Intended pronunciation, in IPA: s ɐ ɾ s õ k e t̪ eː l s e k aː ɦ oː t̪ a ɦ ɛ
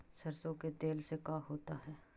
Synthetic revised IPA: s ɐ ɾ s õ k e t̪ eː l s e k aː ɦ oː t̪ a ɦ ɛː